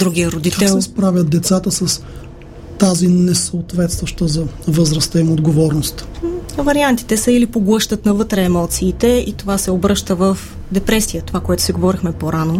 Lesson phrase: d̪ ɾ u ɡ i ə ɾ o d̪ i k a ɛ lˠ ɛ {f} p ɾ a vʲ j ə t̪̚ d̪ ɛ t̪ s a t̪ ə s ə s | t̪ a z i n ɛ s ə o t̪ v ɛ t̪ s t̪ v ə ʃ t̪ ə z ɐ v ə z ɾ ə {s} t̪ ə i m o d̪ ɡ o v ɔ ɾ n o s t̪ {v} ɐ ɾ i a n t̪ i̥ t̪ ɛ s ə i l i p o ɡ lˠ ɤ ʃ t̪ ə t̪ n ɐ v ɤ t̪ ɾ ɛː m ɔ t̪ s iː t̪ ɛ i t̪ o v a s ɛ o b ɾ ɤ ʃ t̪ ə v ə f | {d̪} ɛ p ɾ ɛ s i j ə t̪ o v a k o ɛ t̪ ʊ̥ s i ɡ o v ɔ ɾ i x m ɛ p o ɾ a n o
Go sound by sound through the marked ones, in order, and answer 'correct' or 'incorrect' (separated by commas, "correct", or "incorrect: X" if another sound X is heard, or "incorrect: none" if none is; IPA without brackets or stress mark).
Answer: incorrect: s, correct, correct, correct